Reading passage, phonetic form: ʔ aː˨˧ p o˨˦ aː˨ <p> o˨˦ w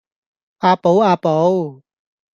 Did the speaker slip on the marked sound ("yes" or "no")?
no